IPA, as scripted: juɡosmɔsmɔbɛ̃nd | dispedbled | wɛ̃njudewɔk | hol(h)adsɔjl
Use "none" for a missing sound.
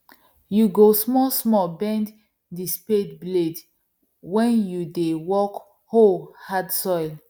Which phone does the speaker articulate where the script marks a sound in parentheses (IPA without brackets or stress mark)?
h